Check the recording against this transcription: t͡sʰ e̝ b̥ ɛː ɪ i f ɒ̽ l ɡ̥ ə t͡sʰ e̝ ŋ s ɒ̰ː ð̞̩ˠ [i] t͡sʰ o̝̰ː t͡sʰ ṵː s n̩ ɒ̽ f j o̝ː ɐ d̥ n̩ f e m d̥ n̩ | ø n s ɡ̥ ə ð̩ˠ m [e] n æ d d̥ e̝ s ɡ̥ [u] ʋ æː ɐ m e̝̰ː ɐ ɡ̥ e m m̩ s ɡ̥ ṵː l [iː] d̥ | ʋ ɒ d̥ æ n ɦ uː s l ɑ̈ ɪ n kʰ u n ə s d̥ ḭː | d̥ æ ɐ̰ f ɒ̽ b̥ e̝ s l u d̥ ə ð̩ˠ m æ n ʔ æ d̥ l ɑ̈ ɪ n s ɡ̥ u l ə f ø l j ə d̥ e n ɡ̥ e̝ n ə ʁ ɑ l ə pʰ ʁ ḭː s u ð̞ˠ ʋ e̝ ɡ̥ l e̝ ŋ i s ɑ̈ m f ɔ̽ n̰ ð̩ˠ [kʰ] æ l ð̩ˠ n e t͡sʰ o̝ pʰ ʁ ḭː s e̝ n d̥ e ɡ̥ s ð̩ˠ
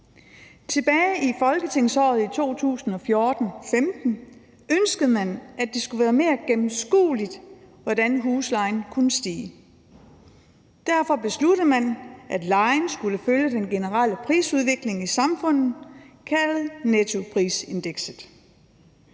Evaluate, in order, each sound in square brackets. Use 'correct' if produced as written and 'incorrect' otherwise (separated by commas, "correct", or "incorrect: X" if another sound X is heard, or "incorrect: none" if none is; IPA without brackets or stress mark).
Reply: correct, incorrect: æ, correct, incorrect: i, correct